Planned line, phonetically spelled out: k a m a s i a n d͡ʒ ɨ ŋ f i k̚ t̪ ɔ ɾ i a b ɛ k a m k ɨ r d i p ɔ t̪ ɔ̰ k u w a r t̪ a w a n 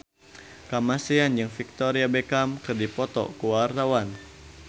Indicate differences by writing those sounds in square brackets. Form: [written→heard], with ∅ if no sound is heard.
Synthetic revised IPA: k a m a s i a n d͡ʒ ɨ ŋ f i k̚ t̪ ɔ ɾ i a b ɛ k a m k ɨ r d i p ɔ t̪ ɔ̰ k u w a r t̪ a w a n